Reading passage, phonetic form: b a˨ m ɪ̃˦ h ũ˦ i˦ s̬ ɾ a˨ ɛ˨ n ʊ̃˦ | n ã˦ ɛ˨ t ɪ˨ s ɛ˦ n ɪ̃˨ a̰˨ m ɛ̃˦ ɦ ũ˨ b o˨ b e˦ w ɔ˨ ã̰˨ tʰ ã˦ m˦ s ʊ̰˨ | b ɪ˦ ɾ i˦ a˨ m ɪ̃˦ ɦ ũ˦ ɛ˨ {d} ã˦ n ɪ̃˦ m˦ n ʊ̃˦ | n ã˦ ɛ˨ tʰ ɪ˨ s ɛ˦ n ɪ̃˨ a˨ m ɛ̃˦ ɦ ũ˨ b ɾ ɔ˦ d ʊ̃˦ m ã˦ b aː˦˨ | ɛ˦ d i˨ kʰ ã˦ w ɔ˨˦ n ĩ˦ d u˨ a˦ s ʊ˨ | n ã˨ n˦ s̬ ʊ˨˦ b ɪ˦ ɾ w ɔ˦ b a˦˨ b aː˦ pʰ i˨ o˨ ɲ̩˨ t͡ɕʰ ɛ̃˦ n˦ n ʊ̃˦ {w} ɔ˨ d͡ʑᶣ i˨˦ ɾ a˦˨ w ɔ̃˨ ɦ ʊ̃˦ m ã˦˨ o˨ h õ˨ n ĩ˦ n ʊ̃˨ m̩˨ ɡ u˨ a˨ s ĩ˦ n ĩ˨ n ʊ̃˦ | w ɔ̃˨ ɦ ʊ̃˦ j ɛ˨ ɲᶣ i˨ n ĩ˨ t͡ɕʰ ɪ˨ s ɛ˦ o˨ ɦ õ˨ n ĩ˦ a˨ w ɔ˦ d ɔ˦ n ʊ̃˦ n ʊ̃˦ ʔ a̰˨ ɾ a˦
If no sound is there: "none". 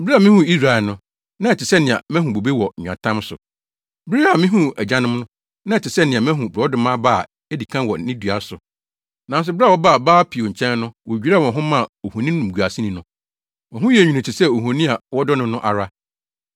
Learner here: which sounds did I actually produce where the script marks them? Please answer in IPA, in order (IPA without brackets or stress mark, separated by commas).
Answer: d͡ʑ, w